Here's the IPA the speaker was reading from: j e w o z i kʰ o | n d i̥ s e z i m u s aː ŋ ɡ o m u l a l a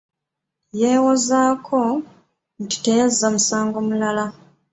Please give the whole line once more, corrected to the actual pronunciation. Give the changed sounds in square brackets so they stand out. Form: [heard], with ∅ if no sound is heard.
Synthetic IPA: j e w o z [a] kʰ o | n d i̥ [t] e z [a] m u s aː ŋ ɡ o m u l a l a